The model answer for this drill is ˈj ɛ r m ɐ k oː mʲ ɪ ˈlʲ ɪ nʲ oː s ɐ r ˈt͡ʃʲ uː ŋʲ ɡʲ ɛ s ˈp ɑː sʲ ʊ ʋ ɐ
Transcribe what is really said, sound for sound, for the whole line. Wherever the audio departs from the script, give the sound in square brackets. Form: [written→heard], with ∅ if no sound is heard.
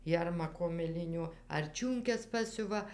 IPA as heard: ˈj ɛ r m ɐ k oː mʲ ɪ ˈlʲ ɪ nʲ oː [s→∅] ɐ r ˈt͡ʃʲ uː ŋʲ [ɡʲ→kʲ] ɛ s ˈp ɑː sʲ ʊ ʋ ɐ